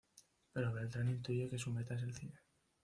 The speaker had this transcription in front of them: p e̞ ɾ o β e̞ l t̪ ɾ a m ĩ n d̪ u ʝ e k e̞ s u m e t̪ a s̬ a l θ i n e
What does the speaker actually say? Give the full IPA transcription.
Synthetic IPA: p e̞ ɾ o β e̞ l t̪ ɾ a n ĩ n t̪ u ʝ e k e̞ s u m e t̪ a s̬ e l θ i n e